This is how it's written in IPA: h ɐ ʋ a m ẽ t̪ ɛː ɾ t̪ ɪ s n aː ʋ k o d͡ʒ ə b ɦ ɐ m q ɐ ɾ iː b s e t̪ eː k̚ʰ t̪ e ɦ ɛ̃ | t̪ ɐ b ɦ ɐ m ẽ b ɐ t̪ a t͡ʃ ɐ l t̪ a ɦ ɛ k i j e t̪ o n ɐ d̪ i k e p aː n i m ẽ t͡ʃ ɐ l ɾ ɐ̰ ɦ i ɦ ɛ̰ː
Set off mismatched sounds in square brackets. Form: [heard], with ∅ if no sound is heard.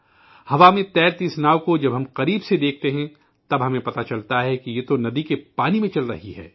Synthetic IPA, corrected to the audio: h ɐ ʋ a m ẽ t̪ ɛː ɾ t̪ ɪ s n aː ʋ k o d͡ʒ [ɐ] b ɦ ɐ m q ɐ ɾ iː b s e [d̪] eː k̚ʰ t̪ e ɦ ɛ̃ | t̪ ɐ b ɦ ɐ m ẽ [p] ɐ t̪ a t͡ʃ ɐ l t̪ a ɦ ɛ k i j e t̪ o n ɐ d̪ i k e p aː n i m ẽ t͡ʃ ɐ l ɾ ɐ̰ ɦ i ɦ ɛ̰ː